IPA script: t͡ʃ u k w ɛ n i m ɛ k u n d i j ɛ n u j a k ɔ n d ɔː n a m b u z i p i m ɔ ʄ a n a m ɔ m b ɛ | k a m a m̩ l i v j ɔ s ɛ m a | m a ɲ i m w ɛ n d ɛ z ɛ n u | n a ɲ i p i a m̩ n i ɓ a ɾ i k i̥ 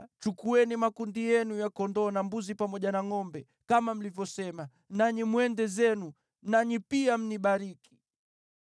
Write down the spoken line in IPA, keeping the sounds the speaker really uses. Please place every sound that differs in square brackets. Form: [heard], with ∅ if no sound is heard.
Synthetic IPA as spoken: t͡ʃ u k [u] ɛ n i m [a] k u n d i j ɛ n u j a k ɔ n d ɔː n a m b u z i p [a] m ɔ ʄ a n a [ŋ] ɔ m b ɛ | k a m a m̩ l i v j ɔ s ɛ m a | [n] a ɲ i m w ɛ n d ɛ z ɛ n u | n a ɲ i p i a m̩ n i ɓ a ɾ i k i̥